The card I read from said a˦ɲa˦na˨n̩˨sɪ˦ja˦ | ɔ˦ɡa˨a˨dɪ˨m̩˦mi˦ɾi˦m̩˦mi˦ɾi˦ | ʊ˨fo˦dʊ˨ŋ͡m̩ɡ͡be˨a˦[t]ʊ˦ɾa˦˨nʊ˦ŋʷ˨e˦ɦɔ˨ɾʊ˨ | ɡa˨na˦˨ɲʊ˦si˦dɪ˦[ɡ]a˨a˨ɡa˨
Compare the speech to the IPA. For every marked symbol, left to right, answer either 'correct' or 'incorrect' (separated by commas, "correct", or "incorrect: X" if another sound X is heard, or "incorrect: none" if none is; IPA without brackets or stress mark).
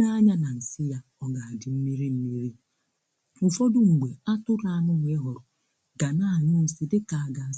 correct, incorrect: k